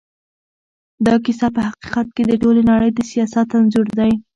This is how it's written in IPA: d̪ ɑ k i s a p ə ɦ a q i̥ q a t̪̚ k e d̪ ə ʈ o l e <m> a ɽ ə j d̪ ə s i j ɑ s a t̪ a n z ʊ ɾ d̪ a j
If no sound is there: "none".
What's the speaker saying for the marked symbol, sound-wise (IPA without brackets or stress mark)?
n